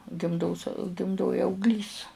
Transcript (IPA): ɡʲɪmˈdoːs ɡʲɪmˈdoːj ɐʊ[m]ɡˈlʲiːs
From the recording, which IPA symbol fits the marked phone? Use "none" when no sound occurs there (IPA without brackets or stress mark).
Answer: none